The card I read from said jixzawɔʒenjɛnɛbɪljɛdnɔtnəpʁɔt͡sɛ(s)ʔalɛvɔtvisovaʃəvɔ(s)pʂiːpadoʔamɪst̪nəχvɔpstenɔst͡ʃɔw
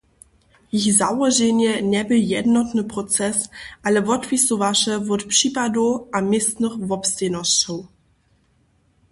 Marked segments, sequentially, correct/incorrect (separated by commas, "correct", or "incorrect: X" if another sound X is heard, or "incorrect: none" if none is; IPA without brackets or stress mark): correct, incorrect: t